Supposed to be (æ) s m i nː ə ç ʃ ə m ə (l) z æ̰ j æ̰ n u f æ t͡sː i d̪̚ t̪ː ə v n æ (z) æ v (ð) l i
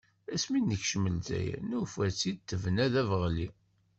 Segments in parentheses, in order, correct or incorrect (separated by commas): correct, correct, incorrect, incorrect